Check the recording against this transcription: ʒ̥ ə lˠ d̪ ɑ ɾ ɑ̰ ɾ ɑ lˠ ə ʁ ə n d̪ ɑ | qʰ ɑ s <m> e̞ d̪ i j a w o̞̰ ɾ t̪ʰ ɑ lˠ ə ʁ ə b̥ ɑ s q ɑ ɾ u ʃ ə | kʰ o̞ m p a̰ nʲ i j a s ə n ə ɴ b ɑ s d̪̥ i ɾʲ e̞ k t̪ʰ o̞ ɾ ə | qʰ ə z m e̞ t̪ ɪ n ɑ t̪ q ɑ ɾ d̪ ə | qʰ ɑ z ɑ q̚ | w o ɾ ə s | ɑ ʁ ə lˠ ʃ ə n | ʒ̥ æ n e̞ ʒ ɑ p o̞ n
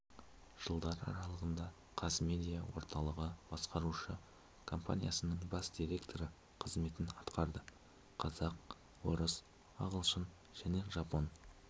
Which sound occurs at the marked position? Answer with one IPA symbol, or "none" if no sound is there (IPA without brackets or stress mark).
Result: m